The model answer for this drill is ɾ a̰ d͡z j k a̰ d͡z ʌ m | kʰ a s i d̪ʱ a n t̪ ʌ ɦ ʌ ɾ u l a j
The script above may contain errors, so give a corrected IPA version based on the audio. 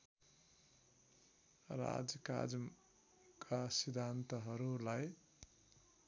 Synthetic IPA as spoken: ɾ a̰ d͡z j k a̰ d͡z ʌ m | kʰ a s i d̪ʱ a n t̪ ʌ ɦ ʌ ɾ u l a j